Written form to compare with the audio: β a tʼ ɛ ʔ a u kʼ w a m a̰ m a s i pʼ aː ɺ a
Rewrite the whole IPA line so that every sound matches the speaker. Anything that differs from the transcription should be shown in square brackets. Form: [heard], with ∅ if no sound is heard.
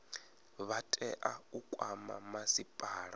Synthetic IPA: β a tʼ ɛ ʔ a u kʼ w a m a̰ m a s i pʼ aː ɺ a